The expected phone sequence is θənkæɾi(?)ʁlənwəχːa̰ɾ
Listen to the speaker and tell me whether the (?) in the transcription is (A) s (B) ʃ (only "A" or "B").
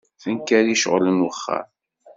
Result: B